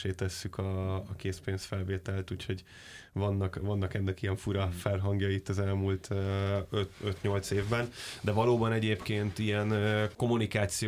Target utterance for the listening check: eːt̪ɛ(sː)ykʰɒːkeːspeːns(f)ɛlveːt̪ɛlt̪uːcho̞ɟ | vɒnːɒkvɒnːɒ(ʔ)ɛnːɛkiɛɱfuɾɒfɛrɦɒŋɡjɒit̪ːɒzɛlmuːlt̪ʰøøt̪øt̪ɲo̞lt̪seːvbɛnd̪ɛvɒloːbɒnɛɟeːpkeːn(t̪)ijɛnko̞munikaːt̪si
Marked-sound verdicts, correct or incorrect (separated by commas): correct, correct, incorrect, correct